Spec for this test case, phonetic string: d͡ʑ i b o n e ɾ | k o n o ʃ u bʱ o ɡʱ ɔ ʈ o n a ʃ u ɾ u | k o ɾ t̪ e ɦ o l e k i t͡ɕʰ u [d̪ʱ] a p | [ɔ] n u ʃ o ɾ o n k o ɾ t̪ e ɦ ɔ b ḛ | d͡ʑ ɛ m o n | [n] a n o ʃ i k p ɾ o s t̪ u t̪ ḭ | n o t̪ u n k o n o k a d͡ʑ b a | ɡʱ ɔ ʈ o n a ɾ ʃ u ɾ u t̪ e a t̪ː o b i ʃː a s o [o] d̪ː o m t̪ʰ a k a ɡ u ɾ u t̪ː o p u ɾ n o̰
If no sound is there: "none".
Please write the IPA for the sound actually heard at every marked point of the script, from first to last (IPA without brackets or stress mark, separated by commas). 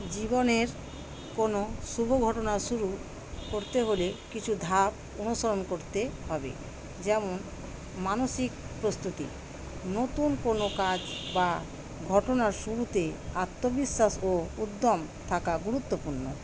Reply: d̪ʱ, o, m, u